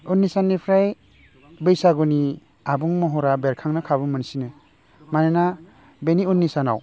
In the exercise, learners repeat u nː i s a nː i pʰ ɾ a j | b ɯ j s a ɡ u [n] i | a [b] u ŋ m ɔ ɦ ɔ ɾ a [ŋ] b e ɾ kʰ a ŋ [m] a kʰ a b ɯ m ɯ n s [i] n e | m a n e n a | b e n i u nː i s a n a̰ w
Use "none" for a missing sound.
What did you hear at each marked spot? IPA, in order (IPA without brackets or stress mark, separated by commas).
n, b, none, n, i